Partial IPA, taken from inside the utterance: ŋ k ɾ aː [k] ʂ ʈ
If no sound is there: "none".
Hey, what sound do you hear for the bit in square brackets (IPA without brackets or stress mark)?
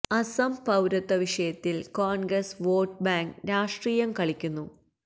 none